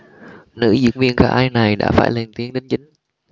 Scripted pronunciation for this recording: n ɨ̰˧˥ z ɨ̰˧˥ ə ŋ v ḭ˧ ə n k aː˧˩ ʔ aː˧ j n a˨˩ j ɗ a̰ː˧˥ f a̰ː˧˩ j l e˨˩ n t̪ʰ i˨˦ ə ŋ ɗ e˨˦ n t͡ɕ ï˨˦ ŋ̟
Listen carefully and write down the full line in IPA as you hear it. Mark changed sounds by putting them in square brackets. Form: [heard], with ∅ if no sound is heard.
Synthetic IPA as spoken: n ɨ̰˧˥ z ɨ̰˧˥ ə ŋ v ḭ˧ ə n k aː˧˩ ʔ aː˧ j n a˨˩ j ɗ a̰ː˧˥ f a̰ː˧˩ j l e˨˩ n [t̪] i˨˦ ə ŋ ɗ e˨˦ n t͡ɕ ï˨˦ ŋ̟

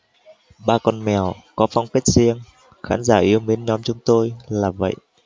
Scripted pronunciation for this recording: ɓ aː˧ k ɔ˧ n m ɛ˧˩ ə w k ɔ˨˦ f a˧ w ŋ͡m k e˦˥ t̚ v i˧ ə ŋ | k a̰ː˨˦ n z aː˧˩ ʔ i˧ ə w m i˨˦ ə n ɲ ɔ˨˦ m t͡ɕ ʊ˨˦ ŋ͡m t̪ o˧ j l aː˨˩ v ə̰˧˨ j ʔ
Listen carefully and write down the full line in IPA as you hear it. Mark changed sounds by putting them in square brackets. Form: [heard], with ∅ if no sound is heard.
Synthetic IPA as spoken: ɓ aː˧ k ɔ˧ n m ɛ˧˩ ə w k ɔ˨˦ f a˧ w ŋ͡m k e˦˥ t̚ [z] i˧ ə ŋ | [x] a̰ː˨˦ n z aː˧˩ ʔ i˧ ə w m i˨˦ ə n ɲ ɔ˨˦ m t͡ɕ ʊ˨˦ ŋ͡m t̪ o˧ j l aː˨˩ v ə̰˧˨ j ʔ

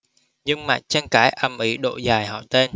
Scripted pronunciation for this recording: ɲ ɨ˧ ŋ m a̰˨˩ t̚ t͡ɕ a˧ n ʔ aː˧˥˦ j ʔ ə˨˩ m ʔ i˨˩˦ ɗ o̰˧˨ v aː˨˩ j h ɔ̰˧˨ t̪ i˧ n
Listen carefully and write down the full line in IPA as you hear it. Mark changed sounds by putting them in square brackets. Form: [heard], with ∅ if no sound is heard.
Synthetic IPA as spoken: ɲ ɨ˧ ŋ m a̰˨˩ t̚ t͡ɕ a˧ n [k] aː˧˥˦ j ʔ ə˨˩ m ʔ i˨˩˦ ɗ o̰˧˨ [z] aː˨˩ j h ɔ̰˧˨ t̪ [e˧] n

